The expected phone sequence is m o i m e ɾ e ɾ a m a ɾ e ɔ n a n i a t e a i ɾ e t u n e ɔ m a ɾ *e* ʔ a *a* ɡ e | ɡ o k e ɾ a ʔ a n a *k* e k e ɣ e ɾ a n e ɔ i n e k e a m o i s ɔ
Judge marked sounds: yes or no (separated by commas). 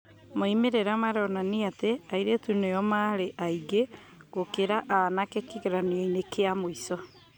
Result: yes, no, yes